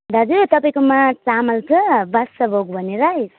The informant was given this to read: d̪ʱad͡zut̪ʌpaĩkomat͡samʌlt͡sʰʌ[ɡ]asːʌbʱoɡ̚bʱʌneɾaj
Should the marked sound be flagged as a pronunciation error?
yes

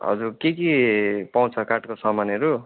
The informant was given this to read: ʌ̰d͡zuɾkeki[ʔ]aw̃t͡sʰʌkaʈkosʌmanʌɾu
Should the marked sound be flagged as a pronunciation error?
yes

